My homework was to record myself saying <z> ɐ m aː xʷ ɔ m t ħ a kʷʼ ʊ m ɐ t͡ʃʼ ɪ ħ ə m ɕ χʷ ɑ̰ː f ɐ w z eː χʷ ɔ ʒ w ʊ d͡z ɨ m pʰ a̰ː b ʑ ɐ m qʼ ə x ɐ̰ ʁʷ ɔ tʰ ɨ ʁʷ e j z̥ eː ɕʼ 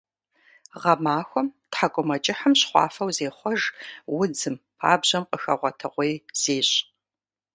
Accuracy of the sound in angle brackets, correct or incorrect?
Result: incorrect